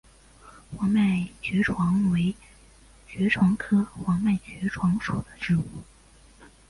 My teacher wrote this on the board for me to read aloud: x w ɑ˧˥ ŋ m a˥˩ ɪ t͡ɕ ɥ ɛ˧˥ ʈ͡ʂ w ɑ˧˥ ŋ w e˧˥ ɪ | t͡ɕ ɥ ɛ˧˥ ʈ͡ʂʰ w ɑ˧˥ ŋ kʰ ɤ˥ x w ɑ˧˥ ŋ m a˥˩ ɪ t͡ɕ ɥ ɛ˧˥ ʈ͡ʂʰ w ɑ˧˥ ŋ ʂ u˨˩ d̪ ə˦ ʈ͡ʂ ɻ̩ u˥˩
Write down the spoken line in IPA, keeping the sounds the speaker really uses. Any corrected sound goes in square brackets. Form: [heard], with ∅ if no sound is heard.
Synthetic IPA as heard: x w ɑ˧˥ ŋ m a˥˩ ɪ t͡ɕ ɥ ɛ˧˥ [ʈ͡ʂʰ] w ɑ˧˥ ŋ w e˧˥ ɪ | t͡ɕ ɥ ɛ˧˥ ʈ͡ʂʰ w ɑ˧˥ ŋ kʰ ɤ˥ x w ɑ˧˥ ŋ m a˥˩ ɪ t͡ɕ ɥ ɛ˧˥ ʈ͡ʂʰ w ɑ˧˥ ŋ ʂ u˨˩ d̪ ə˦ ʈ͡ʂ ɻ̩ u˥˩